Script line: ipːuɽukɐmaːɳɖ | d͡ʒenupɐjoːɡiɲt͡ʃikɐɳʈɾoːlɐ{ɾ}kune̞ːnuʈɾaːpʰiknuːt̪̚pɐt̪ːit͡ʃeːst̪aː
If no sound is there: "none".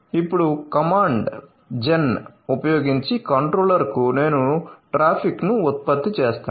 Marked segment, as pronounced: ɾ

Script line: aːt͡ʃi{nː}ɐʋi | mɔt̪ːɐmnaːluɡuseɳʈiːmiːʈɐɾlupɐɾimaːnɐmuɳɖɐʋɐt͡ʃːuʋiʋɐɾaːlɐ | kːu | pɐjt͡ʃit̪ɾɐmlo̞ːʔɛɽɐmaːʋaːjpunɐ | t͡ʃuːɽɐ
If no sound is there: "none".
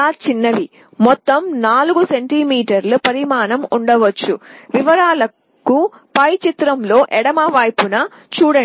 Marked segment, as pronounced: nː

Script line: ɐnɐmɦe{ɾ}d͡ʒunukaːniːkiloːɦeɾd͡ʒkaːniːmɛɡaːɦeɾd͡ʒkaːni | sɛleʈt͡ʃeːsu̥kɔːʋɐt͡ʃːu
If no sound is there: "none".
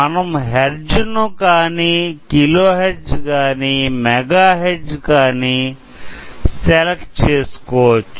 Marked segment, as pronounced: ɾ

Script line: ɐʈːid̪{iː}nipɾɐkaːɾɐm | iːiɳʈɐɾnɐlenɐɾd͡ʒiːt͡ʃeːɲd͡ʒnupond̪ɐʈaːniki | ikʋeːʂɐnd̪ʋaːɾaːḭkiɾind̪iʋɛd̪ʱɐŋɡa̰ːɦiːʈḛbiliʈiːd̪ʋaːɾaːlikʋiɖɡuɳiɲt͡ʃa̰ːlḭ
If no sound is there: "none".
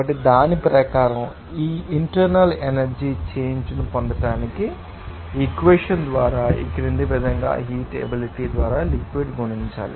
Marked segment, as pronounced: aː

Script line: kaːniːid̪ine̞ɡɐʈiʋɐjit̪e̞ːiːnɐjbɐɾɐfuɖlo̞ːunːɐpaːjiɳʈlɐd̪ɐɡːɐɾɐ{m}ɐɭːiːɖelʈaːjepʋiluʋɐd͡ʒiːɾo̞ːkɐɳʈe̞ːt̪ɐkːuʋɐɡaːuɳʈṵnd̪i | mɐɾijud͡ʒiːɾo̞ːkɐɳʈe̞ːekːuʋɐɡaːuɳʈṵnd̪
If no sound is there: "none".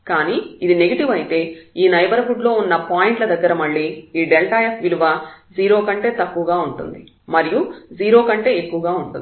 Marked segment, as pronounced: m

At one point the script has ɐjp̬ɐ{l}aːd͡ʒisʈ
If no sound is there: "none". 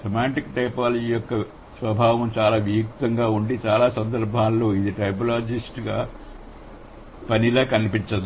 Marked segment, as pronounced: l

